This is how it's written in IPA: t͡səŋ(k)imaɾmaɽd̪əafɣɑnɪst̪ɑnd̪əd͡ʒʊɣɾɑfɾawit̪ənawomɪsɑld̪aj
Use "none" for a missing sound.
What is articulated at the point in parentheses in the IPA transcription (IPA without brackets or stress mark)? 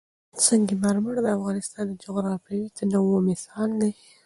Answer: ɡ